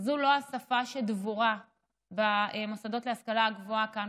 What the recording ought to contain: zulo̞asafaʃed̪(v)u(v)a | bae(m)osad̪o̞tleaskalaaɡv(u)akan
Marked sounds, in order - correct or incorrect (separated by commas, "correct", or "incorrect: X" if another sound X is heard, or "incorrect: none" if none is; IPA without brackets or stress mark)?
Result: correct, incorrect: ʁ, correct, incorrect: o